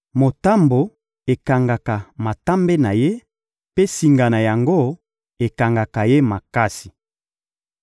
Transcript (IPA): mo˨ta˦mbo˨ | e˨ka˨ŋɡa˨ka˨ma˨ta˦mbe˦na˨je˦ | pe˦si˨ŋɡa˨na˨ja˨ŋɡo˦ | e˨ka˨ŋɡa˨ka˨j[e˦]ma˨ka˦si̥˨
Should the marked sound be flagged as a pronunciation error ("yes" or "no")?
no